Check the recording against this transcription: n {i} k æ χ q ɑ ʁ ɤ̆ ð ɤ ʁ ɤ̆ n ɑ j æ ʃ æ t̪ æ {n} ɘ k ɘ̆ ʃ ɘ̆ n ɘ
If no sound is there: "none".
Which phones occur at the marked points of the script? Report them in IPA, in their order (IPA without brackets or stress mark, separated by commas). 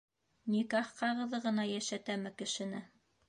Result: i, m